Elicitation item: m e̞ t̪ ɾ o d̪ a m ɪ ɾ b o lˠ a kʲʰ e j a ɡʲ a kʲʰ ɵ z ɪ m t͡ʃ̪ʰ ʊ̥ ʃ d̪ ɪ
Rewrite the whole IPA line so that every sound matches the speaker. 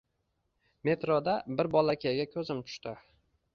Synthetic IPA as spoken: m e̞ t̪ ɾ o d̪ a b ɪ ɾ b ɒ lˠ a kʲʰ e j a ɡʲ a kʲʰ ɵ z ɪ m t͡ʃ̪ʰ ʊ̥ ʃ t̪ ɪ